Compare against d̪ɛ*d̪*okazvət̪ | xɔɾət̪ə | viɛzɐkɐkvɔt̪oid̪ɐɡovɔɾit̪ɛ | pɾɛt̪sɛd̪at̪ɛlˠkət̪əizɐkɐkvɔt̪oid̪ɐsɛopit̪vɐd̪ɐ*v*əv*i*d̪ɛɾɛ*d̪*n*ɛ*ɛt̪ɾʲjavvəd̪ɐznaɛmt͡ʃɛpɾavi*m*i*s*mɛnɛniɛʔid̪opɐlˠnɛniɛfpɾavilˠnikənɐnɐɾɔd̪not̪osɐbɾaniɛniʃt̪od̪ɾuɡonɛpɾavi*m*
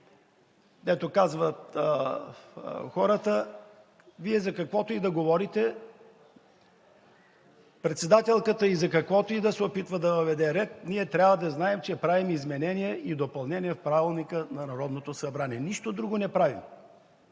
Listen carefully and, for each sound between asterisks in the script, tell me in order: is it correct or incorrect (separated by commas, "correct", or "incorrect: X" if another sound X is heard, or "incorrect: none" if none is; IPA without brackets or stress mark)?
incorrect: t̪, correct, incorrect: ɛ, incorrect: t̪, incorrect: i, correct, incorrect: z, correct